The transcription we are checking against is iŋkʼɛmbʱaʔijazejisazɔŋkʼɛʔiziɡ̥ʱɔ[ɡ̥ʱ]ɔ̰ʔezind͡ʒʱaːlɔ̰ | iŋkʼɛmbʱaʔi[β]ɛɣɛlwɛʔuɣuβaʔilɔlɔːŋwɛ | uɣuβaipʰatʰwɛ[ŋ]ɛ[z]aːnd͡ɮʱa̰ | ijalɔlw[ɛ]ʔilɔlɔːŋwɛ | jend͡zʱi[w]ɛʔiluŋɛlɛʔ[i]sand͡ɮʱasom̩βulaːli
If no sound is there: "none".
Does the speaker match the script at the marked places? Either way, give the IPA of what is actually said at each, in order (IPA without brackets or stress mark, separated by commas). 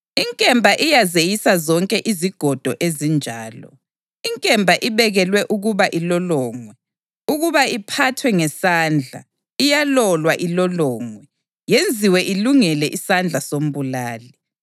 d̥ʱ, β, ŋ, s, a, w, i